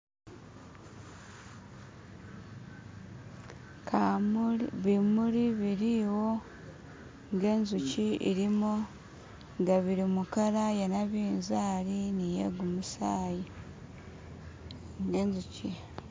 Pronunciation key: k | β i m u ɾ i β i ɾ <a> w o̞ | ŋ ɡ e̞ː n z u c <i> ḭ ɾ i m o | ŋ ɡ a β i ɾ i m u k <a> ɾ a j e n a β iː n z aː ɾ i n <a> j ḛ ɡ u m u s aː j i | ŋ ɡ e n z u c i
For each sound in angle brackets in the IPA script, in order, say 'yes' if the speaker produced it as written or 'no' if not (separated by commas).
no, yes, yes, no